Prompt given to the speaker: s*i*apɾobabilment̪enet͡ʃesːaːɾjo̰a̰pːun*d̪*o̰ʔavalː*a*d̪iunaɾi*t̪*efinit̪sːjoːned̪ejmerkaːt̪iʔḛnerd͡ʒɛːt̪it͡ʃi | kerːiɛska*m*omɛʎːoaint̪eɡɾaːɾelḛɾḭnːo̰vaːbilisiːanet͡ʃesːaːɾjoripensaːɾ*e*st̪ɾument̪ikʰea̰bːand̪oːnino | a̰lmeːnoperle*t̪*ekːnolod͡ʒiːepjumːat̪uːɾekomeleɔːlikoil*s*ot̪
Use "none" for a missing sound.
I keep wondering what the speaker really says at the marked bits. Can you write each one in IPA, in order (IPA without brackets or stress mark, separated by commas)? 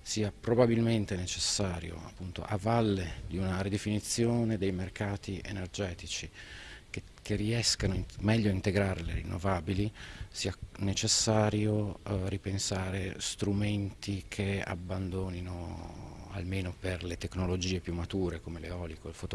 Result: iː, t̪, e, d̪, n, e, t̪, f